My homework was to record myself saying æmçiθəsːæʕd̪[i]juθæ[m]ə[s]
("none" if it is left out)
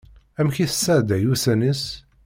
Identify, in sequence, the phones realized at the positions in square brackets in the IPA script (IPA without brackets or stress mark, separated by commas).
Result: æ, n, s